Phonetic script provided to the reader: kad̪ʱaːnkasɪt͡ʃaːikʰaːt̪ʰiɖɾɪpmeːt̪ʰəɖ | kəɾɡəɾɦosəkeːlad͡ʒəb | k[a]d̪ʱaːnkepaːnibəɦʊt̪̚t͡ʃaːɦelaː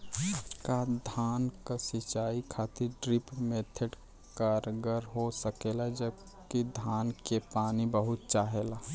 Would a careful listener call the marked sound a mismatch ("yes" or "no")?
yes